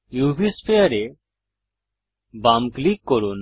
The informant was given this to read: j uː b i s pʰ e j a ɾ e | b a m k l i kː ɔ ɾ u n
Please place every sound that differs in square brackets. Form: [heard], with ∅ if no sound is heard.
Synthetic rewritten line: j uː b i s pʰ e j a ɾ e | b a m k l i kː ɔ ɾ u n